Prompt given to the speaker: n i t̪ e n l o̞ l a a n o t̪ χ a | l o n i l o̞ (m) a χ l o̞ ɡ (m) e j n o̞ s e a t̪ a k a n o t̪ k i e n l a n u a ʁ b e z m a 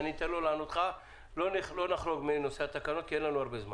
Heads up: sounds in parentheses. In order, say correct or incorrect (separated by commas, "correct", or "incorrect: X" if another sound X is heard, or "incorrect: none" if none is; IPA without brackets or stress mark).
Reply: incorrect: n, correct